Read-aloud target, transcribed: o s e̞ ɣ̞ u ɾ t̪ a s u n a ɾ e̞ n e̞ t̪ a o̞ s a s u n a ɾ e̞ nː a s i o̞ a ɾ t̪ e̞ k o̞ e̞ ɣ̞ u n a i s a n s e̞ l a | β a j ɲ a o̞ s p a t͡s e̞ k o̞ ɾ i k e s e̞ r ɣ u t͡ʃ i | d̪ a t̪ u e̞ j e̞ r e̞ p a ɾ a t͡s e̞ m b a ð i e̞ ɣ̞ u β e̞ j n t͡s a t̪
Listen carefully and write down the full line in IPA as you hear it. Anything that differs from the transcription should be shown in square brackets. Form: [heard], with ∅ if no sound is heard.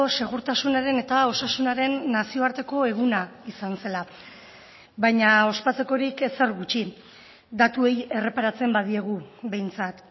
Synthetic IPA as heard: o s e̞ ɣ̞ u ɾ t̪ a s u n a ɾ e̞ n e̞ t̪ a o̞ s a s u n a ɾ e̞ nː a s i o̞ a ɾ t̪ e̞ k o̞ e̞ ɣ̞ u n a i s a n s e̞ l a | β a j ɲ a o̞ s p a t͡s e̞ k o̞ ɾ i k e s e̞ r ɣ u t͡ʃ i | d̪ a t̪ u e̞ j e̞ r e̞ p a ɾ a t͡s e̞ m b a ð i e̞ ɣ̞ u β e̞ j n t͡s a t̪